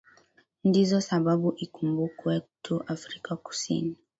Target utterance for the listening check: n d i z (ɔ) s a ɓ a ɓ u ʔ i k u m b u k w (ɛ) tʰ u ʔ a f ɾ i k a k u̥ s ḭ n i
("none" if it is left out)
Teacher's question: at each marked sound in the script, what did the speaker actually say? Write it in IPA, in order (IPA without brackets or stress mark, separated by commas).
ɔ, ɛ